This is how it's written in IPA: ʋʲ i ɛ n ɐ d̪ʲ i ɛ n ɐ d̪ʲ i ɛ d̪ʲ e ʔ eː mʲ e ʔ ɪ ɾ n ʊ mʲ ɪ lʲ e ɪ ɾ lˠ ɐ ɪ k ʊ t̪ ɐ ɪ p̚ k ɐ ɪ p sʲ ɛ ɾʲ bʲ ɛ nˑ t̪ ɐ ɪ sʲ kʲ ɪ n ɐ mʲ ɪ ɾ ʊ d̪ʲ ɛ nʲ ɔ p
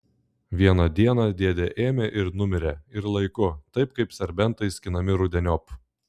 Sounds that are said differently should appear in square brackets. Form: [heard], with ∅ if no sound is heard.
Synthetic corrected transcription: ʋʲ i ɛ n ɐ d̪ʲ i ɛ n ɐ d̪ʲ i ɛ d̪ʲ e ʔ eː mʲ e ʔ ɪ ɾ n ʊ mʲ ɪ [ɾʲ] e ɪ ɾ lˠ ɐ ɪ k ʊ t̪ ɐ ɪ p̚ k ɐ ɪ p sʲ ɛ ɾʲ bʲ ɛ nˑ t̪ ɐ ɪ sʲ kʲ ɪ n ɐ mʲ ɪ ɾ ʊ d̪ʲ ɛ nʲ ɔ p